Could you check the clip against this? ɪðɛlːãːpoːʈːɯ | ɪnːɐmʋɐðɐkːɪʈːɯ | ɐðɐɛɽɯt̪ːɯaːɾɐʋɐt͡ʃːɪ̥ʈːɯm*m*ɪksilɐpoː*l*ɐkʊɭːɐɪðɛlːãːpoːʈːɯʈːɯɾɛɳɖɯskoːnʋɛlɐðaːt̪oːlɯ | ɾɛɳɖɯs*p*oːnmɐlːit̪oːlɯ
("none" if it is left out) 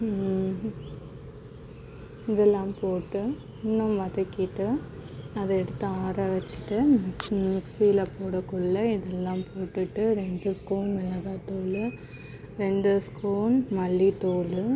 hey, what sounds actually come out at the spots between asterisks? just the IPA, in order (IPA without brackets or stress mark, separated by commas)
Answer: m, ɽ, k